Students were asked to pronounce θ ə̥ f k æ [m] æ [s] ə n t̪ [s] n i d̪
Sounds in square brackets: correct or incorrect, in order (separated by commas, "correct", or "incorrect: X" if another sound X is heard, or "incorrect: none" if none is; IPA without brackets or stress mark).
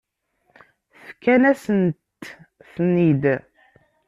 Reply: incorrect: n, correct, incorrect: θ